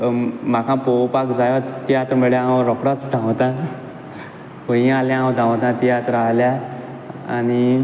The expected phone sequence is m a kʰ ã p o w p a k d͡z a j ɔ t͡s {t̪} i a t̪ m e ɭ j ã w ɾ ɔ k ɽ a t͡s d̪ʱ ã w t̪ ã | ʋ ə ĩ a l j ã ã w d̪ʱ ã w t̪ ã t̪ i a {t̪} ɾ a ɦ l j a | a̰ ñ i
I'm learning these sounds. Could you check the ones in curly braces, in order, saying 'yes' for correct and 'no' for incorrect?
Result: yes, yes

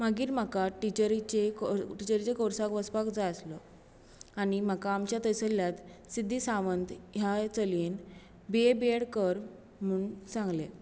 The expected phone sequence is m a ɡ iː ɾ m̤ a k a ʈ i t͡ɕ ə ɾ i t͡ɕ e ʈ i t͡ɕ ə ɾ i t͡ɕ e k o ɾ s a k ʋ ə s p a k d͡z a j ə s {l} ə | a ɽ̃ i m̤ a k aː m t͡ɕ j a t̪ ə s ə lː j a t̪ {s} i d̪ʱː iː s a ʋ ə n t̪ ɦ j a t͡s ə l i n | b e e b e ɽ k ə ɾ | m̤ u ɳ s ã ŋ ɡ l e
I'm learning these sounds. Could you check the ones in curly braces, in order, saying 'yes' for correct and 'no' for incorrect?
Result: yes, yes

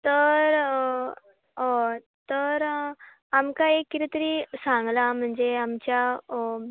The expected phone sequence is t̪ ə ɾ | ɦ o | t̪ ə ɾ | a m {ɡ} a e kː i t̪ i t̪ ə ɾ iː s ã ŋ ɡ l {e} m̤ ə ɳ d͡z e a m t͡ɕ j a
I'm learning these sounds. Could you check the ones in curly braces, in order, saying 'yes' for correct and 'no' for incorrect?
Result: no, no

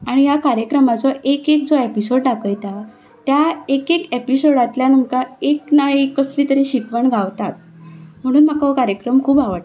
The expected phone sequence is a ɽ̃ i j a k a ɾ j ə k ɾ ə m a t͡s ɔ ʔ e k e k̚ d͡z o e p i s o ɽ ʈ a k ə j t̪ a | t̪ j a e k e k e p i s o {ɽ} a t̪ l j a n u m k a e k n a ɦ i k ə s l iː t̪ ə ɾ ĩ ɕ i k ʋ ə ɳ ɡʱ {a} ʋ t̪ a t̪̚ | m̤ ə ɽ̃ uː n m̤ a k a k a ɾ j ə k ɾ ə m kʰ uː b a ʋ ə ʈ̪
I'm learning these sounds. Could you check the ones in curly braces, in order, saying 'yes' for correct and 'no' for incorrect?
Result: yes, yes

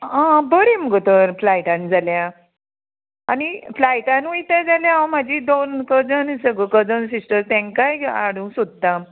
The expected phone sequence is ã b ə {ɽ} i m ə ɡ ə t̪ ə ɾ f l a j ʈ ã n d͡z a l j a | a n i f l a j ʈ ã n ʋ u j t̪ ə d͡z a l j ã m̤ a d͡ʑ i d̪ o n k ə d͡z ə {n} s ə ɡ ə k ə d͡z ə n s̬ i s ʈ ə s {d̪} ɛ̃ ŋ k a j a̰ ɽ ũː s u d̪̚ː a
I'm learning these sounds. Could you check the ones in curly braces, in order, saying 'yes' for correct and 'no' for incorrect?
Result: no, yes, no

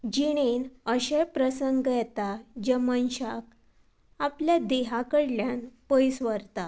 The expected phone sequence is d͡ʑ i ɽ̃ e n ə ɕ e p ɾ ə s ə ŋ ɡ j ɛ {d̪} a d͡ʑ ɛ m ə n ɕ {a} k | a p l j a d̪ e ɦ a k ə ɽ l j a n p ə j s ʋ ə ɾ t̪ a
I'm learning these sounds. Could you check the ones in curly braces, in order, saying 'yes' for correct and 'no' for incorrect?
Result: no, yes

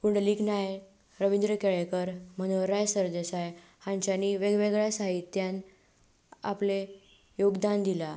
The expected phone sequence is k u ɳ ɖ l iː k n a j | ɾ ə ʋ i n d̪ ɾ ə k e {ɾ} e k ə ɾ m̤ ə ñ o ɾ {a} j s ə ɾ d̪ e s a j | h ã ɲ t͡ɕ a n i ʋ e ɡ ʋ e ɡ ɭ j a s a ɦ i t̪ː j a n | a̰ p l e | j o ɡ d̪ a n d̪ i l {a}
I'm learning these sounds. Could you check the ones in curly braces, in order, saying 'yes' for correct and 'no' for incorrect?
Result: no, yes, yes

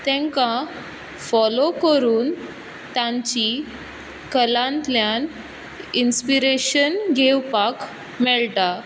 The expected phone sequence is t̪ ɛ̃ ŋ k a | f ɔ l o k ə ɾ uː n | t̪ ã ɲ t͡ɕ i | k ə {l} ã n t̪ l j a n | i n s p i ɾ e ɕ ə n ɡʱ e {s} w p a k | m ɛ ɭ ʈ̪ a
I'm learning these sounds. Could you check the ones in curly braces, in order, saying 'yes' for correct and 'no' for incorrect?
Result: yes, no

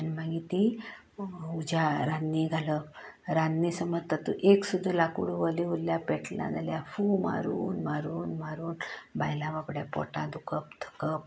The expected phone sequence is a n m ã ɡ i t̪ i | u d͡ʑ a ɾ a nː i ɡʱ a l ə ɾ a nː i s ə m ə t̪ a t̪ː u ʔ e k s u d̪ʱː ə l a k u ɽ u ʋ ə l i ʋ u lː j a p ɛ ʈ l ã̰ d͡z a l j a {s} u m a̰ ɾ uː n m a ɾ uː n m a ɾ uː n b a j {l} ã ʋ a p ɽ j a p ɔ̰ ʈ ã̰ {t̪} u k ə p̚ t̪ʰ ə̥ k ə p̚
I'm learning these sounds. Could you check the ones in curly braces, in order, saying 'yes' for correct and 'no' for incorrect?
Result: no, yes, no

